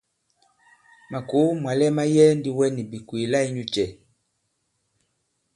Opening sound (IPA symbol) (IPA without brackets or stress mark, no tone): m